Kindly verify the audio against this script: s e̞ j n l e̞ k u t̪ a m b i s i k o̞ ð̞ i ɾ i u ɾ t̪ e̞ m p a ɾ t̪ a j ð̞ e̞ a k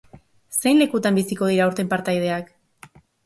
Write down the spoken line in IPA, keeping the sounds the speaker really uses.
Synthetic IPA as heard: s e̞ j n l e̞ k u t̪ a m b i s i k o̞ ð̞ i ɾ a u ɾ t̪ e̞ m p a ɾ t̪ a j ð̞ e̞ a k